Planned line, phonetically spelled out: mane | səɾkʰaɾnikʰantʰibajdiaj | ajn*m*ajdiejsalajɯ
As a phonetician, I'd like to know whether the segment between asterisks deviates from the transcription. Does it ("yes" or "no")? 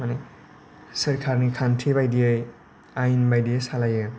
yes